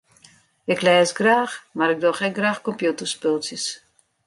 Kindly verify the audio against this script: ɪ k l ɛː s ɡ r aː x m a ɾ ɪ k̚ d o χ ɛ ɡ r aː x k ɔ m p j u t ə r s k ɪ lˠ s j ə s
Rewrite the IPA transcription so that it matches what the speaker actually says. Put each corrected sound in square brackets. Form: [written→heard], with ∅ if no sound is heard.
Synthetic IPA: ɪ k l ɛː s ɡ r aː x m a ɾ ɪ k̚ d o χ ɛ ɡ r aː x k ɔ m p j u t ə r s [k→p] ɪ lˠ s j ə s